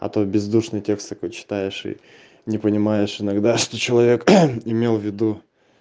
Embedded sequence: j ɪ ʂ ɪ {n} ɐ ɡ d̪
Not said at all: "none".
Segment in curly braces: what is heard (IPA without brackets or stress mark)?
n